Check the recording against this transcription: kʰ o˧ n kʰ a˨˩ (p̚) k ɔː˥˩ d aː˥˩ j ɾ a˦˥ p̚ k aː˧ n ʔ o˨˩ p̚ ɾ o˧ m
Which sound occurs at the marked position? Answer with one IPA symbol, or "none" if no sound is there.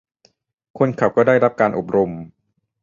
p̚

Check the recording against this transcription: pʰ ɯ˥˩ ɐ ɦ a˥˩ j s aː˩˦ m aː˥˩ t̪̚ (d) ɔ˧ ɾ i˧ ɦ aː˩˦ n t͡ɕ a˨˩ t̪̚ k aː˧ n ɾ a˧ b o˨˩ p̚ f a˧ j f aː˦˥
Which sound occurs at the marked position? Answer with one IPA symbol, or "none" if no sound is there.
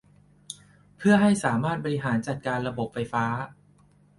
b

